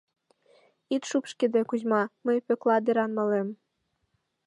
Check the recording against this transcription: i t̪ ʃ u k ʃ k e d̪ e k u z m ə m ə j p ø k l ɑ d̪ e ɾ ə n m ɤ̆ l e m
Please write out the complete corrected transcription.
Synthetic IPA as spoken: i t̪ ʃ u p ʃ k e d̪ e k u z m ɑ m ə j p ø k l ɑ d̪ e ɾ ɑ n m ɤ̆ l e m